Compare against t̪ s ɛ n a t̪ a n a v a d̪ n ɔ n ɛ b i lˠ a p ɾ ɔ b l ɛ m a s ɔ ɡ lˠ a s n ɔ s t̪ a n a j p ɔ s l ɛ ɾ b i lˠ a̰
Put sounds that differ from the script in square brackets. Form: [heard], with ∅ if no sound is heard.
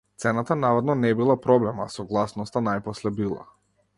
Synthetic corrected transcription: t̪ s ɛ n a t̪ a n a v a d̪ n ɔ n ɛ b i lˠ a p ɾ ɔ b l ɛ m a s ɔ ɡ lˠ a s n ɔ s t̪ a n a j p ɔ s l ɛ [∅] b i lˠ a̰